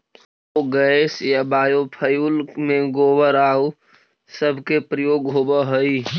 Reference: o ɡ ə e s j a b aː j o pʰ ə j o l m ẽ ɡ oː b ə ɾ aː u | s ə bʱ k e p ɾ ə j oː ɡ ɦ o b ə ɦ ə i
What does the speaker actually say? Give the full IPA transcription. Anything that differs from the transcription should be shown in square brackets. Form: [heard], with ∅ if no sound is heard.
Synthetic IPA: o ɡ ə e s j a b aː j o pʰ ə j [u] l m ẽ ɡ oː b ə ɾ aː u | s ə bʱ k e p ɾ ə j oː ɡ ɦ o b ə ɦ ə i